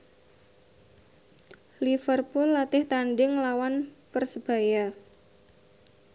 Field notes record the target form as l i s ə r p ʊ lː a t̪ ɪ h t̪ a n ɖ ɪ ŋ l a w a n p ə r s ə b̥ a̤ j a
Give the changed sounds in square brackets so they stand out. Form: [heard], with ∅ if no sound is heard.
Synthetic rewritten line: l i [f] ə r p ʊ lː a t̪ ɪ h t̪ a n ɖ ɪ ŋ l a w a n p ə r s ə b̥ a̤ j a